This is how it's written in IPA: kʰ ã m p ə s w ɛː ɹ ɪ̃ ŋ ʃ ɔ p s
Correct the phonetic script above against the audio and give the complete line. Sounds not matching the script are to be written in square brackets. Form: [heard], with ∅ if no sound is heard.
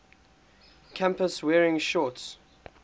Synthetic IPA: kʰ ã m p ə s w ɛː ɹ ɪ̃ ŋ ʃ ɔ [t] s